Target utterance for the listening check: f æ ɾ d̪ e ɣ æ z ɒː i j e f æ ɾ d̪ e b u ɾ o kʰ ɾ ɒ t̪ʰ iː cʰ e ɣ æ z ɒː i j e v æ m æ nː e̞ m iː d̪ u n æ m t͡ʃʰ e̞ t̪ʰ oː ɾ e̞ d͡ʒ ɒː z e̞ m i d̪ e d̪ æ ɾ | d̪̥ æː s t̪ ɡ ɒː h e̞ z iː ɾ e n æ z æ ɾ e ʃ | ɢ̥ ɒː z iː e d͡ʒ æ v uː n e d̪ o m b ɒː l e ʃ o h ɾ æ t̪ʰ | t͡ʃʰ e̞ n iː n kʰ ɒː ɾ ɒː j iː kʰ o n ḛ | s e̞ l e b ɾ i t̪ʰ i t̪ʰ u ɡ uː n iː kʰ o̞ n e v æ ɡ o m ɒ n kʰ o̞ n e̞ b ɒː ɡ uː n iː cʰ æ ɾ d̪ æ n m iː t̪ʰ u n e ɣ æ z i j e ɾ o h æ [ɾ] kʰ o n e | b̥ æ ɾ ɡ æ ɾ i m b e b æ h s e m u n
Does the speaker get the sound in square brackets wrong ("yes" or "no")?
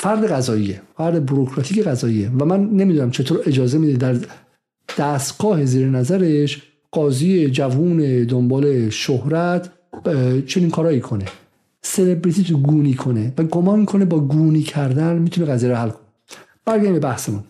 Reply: yes